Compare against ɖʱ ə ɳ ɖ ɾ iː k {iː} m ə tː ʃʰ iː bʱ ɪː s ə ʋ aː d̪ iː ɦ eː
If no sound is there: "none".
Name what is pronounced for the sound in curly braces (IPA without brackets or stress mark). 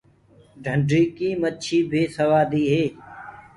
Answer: iː